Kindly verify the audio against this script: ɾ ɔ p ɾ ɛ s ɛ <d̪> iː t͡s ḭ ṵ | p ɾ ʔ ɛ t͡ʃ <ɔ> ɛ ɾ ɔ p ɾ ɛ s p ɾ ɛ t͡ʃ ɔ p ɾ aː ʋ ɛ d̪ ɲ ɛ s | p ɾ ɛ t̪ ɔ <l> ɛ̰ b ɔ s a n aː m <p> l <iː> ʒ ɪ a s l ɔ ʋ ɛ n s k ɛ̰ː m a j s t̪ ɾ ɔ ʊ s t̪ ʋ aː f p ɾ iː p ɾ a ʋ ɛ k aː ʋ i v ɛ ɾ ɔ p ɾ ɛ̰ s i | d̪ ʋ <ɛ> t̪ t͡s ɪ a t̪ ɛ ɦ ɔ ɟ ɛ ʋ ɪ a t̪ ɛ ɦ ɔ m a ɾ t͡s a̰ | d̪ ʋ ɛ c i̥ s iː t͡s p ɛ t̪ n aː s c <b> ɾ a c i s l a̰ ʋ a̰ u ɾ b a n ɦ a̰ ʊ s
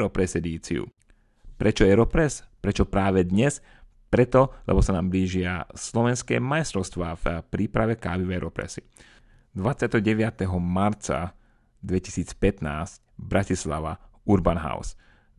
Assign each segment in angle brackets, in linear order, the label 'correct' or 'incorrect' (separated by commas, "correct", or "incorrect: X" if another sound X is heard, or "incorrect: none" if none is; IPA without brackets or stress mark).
correct, correct, correct, incorrect: b, correct, incorrect: a, correct